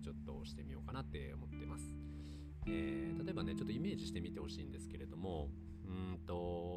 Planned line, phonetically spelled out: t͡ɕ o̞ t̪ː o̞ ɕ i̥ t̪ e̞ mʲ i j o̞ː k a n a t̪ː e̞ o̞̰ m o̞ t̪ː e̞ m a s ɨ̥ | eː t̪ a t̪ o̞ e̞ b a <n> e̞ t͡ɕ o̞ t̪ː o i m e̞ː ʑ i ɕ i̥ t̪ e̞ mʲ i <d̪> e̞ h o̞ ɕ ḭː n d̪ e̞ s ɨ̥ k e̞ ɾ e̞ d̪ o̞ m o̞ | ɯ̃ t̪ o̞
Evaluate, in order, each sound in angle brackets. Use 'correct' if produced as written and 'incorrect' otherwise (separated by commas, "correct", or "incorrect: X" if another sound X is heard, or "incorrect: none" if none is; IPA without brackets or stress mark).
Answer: correct, incorrect: t̪